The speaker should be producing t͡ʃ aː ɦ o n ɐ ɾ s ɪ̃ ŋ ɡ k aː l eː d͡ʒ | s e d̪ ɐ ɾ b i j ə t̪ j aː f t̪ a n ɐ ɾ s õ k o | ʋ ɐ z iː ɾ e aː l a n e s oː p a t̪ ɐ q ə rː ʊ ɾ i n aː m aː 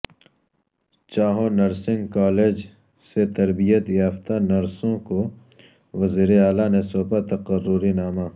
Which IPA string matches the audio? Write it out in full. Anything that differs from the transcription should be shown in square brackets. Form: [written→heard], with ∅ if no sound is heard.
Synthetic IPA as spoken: t͡ʃ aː ɦ o n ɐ ɾ s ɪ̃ ŋ ɡ k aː l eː d͡ʒ | s e [d̪→t̪] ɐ ɾ b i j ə t̪ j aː f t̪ a n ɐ ɾ s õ k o | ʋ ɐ z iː ɾ e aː l a n e s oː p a t̪ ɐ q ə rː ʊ ɾ i n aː m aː